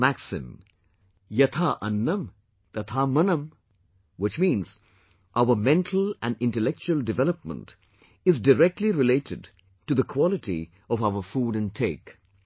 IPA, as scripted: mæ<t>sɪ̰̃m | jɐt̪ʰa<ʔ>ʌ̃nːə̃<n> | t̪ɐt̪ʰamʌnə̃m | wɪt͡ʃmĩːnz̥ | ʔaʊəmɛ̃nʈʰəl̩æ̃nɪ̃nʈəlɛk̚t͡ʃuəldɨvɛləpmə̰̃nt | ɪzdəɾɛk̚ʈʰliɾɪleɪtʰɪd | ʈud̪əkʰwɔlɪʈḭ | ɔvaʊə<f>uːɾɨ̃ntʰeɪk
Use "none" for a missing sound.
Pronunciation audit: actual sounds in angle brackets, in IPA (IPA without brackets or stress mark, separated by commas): k, ʔ, m, f